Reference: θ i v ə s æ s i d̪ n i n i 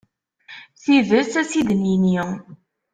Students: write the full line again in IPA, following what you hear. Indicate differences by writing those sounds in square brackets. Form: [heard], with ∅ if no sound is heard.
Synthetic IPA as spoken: θ i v ə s æ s i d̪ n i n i

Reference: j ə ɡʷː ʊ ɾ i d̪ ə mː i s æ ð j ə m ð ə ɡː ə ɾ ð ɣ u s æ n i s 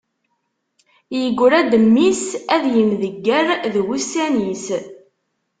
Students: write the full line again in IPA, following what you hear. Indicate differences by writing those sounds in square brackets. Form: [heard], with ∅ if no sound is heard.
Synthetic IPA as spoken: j ə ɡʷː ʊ ɾ [æ] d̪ ə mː i s æ ð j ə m ð ə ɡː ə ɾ ð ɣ u s æ n i s

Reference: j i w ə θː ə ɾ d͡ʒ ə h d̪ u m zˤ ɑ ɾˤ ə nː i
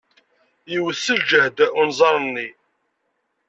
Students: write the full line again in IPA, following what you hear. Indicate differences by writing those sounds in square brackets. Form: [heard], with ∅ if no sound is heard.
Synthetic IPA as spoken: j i w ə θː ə [l] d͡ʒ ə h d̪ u [n] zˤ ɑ ɾˤ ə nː i

